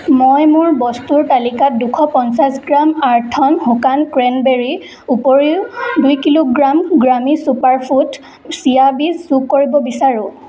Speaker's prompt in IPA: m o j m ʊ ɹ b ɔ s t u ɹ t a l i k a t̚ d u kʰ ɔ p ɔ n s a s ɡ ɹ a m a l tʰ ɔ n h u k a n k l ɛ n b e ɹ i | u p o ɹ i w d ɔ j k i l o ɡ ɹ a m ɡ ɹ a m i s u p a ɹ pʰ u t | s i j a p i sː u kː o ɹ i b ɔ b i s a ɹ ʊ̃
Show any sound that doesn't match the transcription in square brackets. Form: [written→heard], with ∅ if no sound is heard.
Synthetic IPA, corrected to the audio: m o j m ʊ ɹ b ɔ s t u ɹ t a l i k a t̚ d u kʰ ɔ p ɔ n s a s ɡ ɹ a m a [l→ɹ] tʰ ɔ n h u k a n k [l→ɹ] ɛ n b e ɹ i | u p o ɹ i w d [ɔ→u] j k i l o ɡ ɹ a m ɡ ɹ a m i s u p a ɹ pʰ u t | s i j a [p→b] i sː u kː o ɹ i b ɔ b i s a ɹ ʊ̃